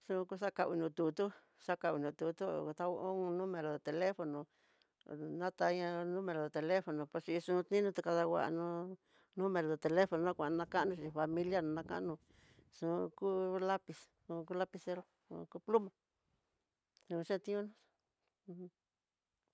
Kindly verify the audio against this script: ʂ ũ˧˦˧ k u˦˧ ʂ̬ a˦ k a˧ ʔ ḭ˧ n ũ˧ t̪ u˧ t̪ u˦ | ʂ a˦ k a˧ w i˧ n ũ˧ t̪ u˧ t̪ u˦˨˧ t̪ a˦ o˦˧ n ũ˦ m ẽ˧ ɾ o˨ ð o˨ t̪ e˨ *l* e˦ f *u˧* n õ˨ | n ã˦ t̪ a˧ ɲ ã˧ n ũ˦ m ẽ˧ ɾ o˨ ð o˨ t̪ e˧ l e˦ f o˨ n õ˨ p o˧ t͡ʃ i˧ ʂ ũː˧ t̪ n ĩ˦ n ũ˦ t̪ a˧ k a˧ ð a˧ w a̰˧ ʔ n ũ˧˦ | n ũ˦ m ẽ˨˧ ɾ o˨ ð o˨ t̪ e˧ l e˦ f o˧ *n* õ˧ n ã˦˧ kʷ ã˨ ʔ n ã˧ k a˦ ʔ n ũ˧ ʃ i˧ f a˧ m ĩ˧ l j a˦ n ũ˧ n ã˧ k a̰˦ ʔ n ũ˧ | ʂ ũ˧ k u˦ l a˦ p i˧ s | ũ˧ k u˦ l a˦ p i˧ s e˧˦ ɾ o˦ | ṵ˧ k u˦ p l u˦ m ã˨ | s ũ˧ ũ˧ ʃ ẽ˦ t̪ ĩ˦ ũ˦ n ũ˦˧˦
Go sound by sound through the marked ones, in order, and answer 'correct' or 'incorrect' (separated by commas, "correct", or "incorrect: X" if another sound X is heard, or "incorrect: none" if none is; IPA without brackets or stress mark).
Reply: correct, incorrect: o˧, correct